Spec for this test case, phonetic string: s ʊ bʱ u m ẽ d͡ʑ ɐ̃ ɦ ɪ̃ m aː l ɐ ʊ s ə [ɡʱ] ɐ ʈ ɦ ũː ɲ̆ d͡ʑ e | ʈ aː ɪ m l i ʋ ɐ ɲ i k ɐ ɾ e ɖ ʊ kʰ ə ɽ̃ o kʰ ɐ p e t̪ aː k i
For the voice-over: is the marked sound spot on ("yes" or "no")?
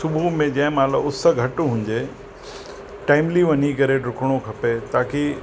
yes